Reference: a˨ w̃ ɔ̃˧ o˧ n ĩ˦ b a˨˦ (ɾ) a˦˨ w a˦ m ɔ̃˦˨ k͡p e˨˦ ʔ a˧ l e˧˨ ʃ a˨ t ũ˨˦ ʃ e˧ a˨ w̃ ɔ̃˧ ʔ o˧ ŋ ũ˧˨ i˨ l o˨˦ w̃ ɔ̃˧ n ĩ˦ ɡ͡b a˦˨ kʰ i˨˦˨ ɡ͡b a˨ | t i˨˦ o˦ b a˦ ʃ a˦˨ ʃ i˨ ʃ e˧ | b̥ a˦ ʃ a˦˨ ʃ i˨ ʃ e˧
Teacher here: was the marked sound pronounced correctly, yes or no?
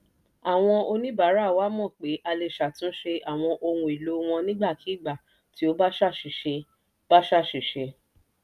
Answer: yes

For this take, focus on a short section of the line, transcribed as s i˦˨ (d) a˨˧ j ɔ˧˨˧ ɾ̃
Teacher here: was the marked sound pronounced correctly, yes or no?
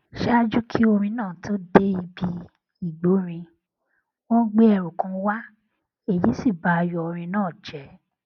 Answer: no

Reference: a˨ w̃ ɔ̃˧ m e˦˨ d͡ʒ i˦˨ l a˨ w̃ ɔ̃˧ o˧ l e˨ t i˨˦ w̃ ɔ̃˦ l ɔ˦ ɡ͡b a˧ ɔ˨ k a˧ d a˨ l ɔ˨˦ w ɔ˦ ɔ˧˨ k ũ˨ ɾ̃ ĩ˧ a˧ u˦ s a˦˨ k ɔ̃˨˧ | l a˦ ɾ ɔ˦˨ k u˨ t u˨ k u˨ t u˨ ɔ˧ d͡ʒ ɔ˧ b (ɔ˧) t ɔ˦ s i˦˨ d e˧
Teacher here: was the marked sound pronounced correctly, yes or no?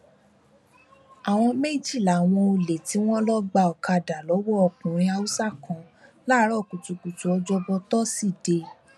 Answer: yes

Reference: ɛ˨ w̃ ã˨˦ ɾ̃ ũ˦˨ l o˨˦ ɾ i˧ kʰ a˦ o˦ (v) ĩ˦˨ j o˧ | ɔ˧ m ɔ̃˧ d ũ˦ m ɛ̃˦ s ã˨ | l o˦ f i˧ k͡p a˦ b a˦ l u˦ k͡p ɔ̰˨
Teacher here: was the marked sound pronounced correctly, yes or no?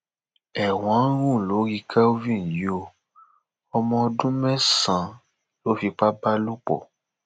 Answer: yes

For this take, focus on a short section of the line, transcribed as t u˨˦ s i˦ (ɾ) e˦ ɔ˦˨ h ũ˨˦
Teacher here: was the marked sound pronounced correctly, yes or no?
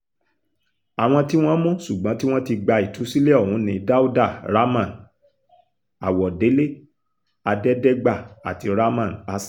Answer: no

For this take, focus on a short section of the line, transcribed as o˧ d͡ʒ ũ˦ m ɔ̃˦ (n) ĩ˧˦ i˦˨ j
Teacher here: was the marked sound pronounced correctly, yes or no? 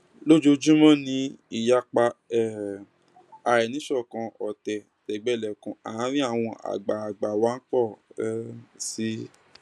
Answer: yes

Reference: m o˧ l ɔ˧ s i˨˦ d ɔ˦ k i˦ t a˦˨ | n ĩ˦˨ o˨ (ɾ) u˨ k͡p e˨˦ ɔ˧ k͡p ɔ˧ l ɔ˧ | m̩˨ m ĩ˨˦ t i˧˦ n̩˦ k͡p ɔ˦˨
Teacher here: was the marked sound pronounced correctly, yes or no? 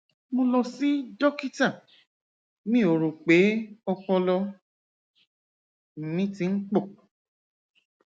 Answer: yes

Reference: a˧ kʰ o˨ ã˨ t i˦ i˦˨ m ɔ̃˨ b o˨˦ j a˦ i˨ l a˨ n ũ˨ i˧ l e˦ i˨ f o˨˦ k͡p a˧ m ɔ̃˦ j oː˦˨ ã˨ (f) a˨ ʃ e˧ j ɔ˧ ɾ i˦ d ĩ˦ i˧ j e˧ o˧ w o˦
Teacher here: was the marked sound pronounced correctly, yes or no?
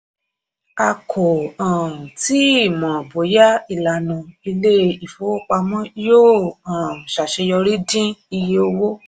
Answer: no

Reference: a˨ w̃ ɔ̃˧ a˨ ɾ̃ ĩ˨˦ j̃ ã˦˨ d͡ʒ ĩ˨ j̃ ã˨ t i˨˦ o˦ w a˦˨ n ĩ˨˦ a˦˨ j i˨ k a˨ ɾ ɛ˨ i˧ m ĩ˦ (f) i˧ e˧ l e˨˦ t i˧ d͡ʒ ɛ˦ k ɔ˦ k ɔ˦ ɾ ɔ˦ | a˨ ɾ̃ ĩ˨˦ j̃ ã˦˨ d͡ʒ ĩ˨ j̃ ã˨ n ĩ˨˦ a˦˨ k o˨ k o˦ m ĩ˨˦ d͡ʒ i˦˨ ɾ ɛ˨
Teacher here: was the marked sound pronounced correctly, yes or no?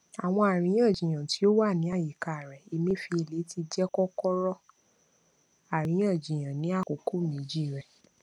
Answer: yes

